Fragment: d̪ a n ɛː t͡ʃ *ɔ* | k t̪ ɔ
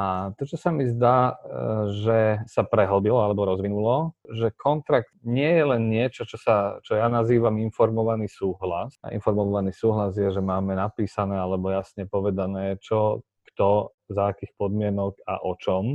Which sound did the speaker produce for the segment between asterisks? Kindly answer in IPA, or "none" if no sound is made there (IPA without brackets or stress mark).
ɔ